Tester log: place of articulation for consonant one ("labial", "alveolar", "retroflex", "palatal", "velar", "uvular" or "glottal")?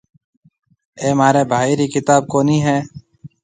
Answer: labial